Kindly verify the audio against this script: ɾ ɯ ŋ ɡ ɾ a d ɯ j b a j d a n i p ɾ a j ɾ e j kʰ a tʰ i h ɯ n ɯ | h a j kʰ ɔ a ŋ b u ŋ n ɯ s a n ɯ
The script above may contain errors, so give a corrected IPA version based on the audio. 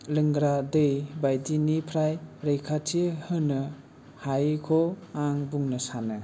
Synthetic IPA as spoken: l ɯ ŋ ɡ ɾ a d ɯ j b a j d i n i pʰ ɾ a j ɾ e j kʰ a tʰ i h ɯ n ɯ | h a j kʰ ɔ a ŋ b u ŋ n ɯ s a n ɯ